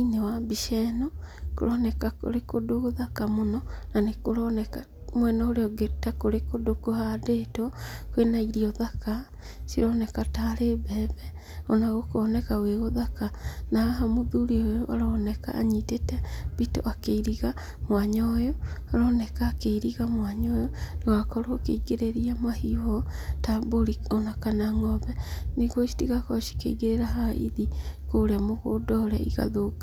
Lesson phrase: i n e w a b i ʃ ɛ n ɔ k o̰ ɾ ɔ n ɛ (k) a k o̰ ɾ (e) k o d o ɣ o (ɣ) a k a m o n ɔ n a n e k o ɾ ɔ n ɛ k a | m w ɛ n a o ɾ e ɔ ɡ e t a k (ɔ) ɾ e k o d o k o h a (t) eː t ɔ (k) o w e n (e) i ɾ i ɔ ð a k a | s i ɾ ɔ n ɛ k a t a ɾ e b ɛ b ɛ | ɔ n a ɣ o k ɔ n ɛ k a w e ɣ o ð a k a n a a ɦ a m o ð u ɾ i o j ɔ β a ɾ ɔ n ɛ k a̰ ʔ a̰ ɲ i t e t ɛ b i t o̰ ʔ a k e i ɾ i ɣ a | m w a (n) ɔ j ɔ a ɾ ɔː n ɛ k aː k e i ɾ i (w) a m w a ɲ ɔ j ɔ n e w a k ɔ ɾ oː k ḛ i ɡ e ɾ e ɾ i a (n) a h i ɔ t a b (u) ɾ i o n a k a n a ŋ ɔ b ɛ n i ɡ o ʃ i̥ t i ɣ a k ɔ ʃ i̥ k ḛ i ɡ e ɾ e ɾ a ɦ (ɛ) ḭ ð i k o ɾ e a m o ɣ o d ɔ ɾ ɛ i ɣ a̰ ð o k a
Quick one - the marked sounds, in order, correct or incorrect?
correct, correct, incorrect: ð, incorrect: o, incorrect: d, correct, incorrect: a, incorrect: ɲ, incorrect: ɣ, incorrect: m, incorrect: o, incorrect: a

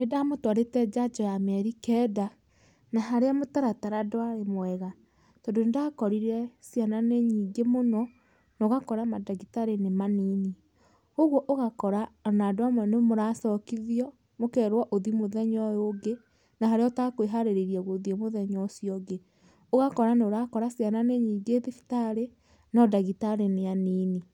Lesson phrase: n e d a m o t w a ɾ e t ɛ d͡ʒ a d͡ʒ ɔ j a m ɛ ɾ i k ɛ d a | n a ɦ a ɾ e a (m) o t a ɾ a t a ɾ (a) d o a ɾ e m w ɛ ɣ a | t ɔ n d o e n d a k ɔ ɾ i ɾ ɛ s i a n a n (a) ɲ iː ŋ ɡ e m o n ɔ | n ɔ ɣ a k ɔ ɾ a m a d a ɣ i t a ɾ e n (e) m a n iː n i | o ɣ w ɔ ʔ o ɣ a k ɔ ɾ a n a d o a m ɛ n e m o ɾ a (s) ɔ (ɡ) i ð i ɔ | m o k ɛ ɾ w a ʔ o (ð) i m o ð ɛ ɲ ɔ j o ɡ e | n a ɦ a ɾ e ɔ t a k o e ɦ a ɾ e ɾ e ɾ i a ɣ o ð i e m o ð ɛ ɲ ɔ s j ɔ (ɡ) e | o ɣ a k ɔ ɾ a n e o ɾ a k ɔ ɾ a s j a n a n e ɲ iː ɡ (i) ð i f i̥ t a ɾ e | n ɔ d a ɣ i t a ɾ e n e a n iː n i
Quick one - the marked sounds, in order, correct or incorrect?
correct, correct, incorrect: e, correct, correct, incorrect: k, correct, correct, incorrect: e

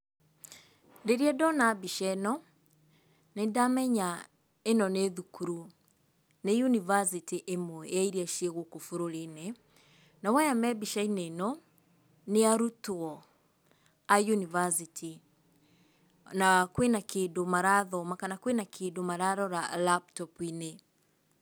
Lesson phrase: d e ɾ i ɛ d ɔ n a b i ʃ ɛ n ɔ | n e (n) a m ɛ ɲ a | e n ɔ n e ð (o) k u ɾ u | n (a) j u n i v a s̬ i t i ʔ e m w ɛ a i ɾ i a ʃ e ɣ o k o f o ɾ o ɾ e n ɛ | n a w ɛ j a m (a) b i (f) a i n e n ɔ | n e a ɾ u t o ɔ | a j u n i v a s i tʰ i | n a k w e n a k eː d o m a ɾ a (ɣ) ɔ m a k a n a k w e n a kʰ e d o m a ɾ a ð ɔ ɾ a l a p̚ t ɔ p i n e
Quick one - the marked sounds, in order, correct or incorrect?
incorrect: d, incorrect: u, incorrect: e, incorrect: ɛ, incorrect: ʃ, incorrect: ð

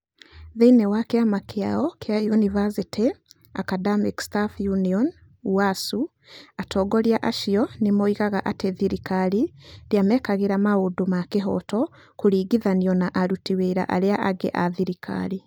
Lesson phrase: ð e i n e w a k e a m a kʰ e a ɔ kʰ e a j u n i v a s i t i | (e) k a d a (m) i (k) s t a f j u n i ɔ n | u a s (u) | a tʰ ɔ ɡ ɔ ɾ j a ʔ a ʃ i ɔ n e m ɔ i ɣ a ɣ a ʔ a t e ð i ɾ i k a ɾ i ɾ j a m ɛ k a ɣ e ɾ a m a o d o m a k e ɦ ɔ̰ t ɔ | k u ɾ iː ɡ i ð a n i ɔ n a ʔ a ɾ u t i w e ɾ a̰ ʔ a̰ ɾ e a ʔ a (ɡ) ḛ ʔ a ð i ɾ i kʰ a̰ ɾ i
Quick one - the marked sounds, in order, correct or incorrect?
incorrect: a, correct, correct, correct, correct

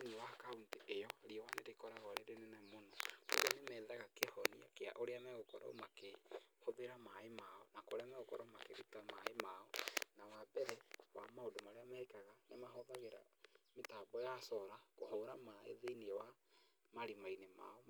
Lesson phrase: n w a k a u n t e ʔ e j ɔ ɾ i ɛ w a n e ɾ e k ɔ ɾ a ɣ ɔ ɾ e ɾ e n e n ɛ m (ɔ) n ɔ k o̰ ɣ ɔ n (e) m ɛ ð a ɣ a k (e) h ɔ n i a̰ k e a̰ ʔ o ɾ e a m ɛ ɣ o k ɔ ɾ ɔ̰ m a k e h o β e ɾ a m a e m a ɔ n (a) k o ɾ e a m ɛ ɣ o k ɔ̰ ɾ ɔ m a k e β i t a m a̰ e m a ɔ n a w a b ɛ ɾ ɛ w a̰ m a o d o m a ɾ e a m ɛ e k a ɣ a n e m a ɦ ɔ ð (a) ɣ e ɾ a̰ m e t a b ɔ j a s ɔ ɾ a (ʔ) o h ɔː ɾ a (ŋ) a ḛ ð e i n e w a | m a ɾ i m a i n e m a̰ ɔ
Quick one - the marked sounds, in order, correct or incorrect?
incorrect: o, correct, correct, correct, correct, incorrect: k, incorrect: m

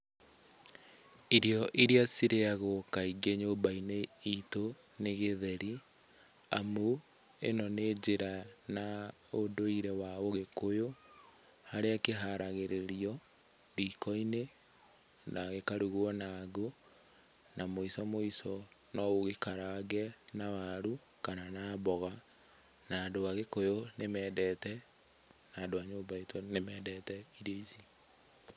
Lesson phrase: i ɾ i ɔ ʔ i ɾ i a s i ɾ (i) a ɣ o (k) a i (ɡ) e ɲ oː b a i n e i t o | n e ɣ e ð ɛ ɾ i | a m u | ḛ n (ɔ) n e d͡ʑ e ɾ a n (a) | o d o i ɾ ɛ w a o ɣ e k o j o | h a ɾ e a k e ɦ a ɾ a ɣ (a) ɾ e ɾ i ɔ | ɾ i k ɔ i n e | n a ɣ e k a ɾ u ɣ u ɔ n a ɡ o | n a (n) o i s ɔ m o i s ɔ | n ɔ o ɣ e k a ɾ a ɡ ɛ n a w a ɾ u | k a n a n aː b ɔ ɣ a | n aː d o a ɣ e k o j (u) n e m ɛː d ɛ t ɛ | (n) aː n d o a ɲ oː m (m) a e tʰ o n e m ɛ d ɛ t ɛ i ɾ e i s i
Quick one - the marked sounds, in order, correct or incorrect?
incorrect: e, correct, correct, correct, correct, incorrect: e, incorrect: m, incorrect: o, correct, incorrect: b

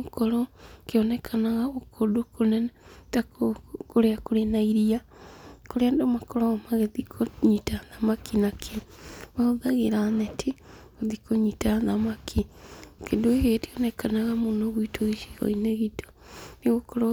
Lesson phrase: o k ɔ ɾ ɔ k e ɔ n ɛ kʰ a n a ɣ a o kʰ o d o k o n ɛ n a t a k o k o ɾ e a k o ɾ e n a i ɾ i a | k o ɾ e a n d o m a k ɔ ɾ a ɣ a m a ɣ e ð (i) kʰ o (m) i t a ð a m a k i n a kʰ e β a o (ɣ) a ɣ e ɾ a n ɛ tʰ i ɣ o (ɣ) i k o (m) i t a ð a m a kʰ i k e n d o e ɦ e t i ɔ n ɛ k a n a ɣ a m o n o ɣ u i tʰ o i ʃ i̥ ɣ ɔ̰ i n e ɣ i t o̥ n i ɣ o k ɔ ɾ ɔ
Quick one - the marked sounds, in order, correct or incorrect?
correct, incorrect: ɲ, incorrect: ð, incorrect: ð, incorrect: ɲ

